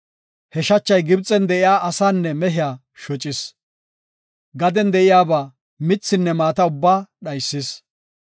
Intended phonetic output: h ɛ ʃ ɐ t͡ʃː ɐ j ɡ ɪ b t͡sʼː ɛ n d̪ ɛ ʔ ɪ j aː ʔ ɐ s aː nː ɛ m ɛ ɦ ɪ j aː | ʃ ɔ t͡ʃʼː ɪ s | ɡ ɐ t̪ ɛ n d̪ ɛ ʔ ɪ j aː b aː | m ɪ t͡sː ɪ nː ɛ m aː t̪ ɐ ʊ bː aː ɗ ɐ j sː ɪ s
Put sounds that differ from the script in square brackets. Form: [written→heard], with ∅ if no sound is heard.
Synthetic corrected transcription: h ɛ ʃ ɐ t͡ʃː ɐ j ɡ ɪ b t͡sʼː ɛ n d̪ ɛ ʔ ɪ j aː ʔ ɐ s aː nː ɛ m ɛ ɦ ɪ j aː | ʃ ɔ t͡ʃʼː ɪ s | ɡ ɐ [t̪→d̪] ɛ n d̪ ɛ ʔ ɪ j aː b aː | m ɪ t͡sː ɪ nː ɛ m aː t̪ ɐ ʊ bː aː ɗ ɐ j sː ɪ s